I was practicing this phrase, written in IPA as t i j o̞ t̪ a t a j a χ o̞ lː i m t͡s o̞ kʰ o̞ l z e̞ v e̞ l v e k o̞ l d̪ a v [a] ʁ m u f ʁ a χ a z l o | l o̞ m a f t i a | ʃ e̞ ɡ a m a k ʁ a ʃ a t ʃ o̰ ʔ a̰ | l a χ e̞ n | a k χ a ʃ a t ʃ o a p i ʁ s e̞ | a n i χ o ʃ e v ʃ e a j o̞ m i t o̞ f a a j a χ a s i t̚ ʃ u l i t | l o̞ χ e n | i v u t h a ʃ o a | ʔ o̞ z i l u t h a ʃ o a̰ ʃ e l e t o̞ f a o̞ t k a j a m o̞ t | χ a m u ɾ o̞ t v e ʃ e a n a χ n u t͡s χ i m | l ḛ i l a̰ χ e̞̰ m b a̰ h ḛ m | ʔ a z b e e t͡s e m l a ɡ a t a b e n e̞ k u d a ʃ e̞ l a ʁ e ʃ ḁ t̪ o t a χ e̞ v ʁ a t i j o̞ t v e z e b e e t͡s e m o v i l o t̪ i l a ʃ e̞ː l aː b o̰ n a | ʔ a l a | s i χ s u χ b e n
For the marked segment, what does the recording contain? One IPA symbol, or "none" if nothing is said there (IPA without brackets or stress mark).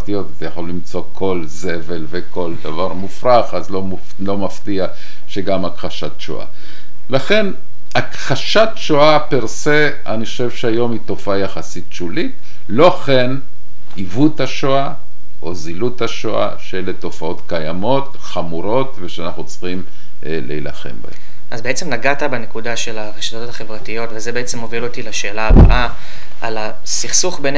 a